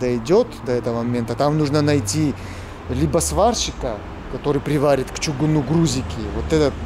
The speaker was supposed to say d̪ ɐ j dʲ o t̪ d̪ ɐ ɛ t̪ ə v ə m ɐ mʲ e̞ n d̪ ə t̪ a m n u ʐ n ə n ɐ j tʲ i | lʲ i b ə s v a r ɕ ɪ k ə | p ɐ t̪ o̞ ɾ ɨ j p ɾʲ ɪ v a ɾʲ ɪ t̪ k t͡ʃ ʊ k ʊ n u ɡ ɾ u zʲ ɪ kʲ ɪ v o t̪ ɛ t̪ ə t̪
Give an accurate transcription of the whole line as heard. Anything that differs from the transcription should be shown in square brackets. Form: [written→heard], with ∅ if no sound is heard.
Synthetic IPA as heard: d̪ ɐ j dʲ o t̪ d̪ ɐ ɛ t̪ ə v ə m ɐ mʲ e̞ n [d̪→t̪] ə t̪ a m n u ʐ n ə n ɐ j tʲ i | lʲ i b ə s v a r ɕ ɪ k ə | [p→k] ɐ t̪ o̞ ɾ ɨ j p ɾʲ ɪ v a ɾʲ ɪ t̪ k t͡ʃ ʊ [k→ɡ] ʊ n u ɡ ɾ u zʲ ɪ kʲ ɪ v o t̪ ɛ t̪ ə t̪